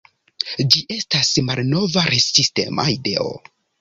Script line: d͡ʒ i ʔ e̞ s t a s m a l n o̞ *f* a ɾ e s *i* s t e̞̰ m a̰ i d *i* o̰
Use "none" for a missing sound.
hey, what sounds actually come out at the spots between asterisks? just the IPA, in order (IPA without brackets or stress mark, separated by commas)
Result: v, i, e